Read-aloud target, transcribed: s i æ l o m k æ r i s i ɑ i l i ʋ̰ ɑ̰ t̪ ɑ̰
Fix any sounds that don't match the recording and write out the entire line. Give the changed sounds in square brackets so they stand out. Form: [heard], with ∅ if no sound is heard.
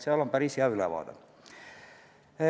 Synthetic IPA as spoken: s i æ l o m [p] æ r i s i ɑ [y] l [æ] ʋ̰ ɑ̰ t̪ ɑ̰